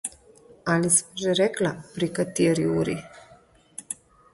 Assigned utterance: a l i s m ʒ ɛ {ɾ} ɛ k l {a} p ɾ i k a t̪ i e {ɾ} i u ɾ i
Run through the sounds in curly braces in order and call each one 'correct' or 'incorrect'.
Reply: correct, correct, correct

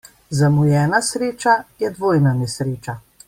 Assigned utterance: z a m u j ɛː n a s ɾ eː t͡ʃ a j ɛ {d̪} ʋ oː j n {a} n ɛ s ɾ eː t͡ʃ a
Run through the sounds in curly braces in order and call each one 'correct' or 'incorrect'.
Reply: correct, correct

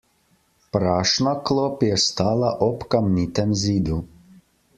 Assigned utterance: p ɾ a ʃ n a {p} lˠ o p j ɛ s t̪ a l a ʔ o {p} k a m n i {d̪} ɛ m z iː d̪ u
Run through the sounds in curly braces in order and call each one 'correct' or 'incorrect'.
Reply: incorrect: k, correct, incorrect: t̪

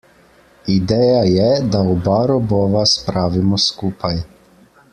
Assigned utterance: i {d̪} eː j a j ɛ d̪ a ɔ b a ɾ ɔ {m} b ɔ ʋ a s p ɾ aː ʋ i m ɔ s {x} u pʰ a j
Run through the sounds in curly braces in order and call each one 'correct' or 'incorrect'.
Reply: correct, incorrect: none, incorrect: k

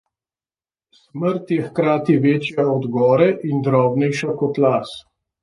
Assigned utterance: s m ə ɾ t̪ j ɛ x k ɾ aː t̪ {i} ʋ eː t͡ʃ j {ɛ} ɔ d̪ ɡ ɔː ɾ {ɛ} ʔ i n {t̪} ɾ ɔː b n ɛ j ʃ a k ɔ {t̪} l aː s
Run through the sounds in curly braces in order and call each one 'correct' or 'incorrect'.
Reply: correct, incorrect: a, correct, incorrect: d̪, correct

